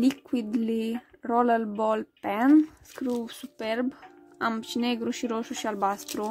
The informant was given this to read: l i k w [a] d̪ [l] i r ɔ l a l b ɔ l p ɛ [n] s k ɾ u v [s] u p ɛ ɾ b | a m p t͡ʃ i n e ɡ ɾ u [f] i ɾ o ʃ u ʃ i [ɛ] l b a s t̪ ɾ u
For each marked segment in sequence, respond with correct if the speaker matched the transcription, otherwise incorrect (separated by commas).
incorrect, correct, correct, correct, incorrect, incorrect